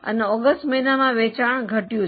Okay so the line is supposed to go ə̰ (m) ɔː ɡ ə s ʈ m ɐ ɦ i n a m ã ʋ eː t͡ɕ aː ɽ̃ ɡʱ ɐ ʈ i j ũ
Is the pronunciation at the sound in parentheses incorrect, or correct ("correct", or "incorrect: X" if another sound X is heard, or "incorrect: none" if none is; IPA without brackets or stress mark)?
incorrect: n